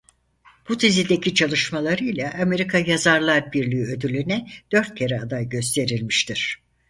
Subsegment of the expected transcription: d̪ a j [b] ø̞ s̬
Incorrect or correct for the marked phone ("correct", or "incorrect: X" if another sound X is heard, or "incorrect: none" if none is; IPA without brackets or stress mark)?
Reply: incorrect: ɟ